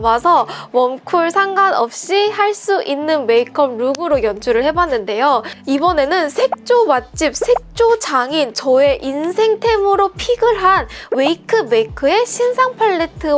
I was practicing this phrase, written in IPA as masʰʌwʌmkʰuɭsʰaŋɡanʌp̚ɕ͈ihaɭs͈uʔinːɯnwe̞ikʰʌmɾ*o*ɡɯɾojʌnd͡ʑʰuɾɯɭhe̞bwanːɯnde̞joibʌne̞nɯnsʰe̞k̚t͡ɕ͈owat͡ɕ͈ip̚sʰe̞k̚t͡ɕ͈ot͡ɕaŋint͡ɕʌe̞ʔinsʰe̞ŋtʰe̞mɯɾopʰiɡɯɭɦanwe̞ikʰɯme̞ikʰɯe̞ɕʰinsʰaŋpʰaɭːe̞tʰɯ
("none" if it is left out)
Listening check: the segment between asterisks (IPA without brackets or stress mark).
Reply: u